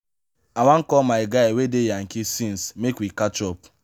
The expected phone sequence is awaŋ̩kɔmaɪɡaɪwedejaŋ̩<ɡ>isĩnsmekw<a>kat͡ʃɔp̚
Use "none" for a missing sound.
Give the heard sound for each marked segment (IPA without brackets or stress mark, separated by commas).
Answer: k, i